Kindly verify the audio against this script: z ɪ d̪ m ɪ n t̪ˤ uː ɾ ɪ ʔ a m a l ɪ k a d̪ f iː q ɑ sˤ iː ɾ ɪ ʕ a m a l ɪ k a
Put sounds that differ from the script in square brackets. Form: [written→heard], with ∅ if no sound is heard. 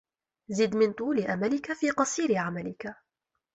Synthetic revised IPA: z ɪ d̪ m ɪ n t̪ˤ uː [ɾ→l] ɪ ʔ a m a l ɪ k a [d̪→∅] f iː q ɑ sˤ iː ɾ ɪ ʕ a m a l ɪ k a

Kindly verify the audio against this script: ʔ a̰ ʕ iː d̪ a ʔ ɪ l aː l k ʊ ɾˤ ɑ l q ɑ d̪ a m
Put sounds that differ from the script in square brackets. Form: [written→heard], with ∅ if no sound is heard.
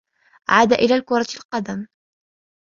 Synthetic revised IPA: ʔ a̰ ʕ [iː→aː] d̪ a ʔ ɪ l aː l k ʊ ɾˤ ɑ l q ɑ d̪ a m

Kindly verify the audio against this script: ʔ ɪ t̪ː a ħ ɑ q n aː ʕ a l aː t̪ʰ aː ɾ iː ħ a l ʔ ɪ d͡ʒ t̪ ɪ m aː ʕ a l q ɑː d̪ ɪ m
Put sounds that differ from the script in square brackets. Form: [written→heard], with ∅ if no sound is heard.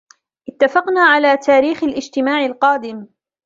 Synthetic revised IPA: ʔ ɪ t̪ː a [ħ→f] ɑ q n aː ʕ a l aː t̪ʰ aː ɾ iː [ħ→x] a l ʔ ɪ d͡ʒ t̪ ɪ m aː ʕ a l q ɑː d̪ ɪ m

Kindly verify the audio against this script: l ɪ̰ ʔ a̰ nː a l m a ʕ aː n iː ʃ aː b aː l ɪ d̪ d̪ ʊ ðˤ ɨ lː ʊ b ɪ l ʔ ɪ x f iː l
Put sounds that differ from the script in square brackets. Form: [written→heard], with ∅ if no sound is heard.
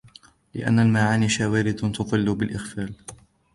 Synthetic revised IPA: l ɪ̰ ʔ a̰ nː a l m a ʕ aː n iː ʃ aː [b→w] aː [l→ɾ] ɪ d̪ [d̪→t̪] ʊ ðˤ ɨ lː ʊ b ɪ l ʔ ɪ x f [iː→aː] l

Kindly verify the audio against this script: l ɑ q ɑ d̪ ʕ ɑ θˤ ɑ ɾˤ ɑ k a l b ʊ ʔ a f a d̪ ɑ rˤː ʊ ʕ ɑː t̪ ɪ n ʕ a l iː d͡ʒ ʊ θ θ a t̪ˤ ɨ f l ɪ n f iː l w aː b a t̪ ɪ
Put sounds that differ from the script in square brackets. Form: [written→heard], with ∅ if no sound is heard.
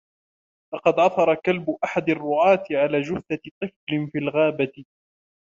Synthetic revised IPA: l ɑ q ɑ d̪ ʕ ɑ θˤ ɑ ɾˤ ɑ k a l b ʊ ʔ a [f→ħ] a d̪ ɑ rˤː ʊ ʕ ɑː t̪ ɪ [n→∅] ʕ a l [iː→aː] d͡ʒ ʊ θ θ a t̪ˤ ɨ f l ɪ n f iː l [w→ɣ] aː b a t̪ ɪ

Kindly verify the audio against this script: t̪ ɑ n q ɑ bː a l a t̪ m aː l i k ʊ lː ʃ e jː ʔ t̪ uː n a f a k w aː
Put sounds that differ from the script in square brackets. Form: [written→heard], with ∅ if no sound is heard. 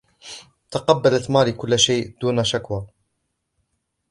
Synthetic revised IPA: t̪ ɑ [n→∅] q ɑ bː a l a t̪ m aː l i k ʊ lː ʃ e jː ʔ [t̪→d̪] uː n a [f→ʃ] a k w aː

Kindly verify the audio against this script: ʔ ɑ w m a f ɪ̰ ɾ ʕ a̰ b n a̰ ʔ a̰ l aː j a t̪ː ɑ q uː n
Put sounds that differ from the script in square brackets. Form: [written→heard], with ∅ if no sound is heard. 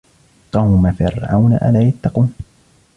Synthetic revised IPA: [ʔ→q] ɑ w m a f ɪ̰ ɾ ʕ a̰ [b→w] n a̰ ʔ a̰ l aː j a t̪ː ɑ q uː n

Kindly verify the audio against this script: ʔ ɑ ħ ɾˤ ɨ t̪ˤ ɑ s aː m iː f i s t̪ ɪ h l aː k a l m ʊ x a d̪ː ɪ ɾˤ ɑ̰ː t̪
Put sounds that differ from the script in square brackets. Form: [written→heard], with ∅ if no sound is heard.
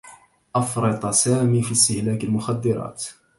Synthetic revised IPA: ʔ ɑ [ħ→f] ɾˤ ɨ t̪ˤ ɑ s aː m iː f i s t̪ ɪ h l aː k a l m ʊ x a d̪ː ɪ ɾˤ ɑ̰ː t̪

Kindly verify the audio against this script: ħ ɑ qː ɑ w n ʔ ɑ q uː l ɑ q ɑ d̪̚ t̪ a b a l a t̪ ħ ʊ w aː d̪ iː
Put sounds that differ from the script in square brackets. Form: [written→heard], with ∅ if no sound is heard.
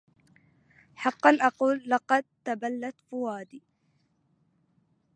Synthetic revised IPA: ħ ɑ qː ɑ [w→∅] n ʔ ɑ q uː [l→lː] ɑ q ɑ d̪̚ t̪ a b a [l→lː] a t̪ [ħ→f] ʊ w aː d̪ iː

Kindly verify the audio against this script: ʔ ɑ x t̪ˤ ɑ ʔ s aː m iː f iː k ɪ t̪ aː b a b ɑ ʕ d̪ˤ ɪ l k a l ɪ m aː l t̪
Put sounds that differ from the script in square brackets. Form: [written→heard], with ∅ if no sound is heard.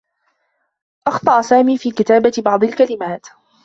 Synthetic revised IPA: ʔ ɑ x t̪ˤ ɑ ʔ s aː m iː f iː k ɪ t̪ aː b a b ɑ ʕ d̪ˤ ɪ l k a l ɪ m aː [l→∅] t̪

